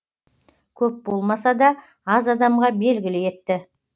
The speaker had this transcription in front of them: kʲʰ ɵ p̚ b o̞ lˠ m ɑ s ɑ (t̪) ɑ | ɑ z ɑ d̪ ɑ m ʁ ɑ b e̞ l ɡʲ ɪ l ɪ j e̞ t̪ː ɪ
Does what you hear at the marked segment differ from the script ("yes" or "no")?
yes